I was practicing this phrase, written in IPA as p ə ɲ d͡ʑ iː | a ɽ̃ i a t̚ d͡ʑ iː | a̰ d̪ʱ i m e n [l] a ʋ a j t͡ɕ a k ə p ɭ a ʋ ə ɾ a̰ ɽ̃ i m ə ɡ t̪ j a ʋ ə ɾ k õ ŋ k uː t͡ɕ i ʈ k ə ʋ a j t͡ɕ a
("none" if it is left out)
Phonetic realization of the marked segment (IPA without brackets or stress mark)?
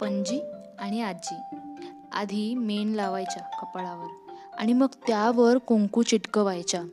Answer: l